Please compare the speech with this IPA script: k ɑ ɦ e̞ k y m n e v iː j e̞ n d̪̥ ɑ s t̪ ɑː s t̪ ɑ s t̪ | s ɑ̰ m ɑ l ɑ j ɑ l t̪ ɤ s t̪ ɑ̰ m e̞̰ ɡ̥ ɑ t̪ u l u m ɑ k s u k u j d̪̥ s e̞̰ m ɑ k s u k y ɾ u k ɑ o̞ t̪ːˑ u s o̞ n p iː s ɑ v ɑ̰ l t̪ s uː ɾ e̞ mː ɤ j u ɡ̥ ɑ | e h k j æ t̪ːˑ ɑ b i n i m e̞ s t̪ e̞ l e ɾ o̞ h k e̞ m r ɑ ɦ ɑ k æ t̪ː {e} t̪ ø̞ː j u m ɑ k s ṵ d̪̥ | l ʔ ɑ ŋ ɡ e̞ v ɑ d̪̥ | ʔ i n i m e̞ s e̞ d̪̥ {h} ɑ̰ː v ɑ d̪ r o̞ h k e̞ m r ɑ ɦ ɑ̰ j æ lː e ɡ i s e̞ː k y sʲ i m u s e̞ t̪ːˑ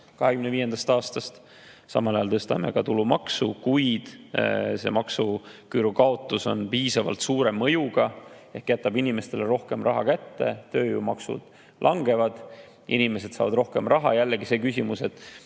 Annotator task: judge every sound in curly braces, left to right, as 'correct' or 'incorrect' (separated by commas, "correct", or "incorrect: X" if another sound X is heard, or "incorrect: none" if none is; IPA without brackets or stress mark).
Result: correct, incorrect: s